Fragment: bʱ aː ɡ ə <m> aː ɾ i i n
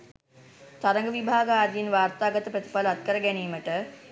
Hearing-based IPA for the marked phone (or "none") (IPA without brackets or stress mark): none